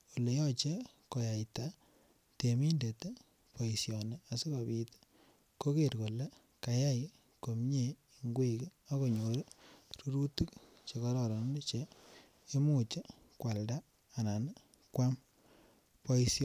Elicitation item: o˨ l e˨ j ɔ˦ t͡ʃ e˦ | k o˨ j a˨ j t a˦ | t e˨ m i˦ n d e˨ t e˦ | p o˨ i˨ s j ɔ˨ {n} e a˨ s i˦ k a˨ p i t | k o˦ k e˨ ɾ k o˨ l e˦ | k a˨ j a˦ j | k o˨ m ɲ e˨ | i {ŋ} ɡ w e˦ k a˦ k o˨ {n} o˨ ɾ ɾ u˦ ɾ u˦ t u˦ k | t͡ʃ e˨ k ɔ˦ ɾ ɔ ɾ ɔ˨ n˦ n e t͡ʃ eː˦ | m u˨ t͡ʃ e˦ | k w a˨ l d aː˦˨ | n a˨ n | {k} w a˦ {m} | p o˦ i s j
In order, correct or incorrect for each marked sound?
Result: correct, correct, incorrect, correct, correct

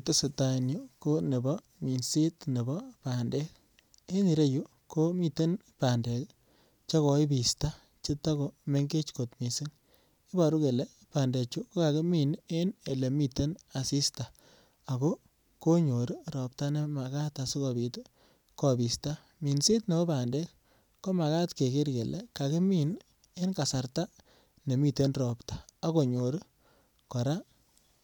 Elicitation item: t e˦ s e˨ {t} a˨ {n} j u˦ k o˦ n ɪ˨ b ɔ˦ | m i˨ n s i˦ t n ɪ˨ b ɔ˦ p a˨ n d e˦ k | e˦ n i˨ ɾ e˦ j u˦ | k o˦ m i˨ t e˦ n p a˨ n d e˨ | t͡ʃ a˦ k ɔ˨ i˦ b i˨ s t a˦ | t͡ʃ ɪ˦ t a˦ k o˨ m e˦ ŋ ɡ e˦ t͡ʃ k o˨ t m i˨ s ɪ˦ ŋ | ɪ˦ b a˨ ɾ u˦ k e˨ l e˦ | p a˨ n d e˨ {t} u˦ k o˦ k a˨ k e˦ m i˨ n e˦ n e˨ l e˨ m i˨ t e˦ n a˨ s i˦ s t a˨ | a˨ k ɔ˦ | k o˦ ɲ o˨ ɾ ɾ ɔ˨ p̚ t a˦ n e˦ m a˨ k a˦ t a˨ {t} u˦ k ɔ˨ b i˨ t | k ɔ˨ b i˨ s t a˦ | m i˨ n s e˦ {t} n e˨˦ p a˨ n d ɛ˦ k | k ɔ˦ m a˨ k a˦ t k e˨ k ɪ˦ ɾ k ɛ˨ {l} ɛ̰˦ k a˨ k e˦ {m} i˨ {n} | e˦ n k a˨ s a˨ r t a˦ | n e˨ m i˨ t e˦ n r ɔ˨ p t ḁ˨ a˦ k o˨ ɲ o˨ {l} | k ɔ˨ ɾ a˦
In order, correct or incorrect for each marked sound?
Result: correct, correct, incorrect, incorrect, correct, correct, correct, correct, incorrect

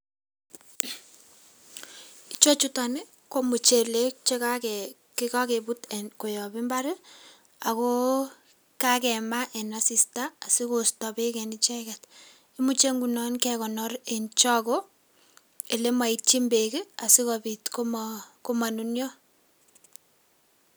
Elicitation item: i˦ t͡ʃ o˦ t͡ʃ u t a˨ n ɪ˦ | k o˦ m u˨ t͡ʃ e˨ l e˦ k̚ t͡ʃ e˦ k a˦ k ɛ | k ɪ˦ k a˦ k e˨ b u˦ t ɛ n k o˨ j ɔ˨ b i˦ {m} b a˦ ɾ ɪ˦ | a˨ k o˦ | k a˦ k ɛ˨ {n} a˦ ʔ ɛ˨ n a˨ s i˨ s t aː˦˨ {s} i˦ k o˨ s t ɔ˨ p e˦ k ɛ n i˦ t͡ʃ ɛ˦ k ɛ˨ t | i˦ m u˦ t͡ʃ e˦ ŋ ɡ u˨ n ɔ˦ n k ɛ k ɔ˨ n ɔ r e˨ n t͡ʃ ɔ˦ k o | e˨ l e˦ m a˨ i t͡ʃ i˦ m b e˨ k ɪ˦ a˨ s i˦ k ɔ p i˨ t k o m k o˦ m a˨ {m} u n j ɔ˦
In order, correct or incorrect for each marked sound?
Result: correct, incorrect, correct, incorrect

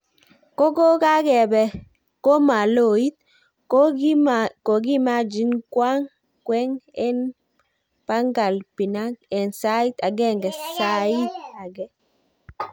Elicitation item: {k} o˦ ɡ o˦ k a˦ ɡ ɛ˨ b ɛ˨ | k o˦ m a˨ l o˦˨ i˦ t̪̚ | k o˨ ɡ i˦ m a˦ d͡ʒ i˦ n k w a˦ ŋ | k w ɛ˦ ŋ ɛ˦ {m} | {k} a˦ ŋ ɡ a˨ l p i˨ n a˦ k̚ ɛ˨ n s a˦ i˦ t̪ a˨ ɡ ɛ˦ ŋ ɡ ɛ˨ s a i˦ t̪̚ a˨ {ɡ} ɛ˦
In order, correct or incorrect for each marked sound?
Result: correct, incorrect, incorrect, correct

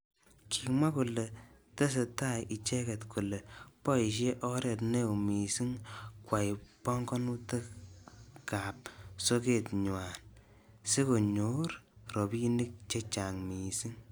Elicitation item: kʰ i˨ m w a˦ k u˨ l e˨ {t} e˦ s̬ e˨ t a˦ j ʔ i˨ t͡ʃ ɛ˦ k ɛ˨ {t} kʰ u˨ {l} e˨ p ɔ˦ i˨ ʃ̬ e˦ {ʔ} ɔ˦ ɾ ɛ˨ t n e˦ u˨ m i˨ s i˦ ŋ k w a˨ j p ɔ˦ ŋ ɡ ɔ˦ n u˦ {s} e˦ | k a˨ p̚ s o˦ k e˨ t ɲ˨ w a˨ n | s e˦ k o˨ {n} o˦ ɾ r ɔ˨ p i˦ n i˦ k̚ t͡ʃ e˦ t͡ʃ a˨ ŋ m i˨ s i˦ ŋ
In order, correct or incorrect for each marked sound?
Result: correct, correct, correct, correct, incorrect, incorrect

